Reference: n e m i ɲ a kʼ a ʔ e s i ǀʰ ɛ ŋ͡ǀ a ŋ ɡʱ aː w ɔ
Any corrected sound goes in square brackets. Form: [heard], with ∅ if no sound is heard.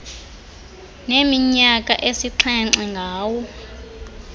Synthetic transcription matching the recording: n e m i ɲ a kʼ a ʔ e s i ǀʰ ɛ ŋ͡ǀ [ɛ] ŋ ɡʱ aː w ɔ